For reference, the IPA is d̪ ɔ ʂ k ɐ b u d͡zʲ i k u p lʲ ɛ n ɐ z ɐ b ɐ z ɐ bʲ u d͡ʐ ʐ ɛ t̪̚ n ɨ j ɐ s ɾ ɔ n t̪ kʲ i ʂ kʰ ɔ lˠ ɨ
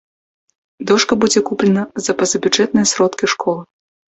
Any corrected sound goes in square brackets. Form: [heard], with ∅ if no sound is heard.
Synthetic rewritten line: d̪ ɔ ʂ k ɐ b u d͡zʲ [ɛ] k u p lʲ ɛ n ɐ z ɐ [p] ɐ z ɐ bʲ u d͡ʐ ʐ ɛ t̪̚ n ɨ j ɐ s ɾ ɔ [∅] t̪ kʲ i ʂ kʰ ɔ lˠ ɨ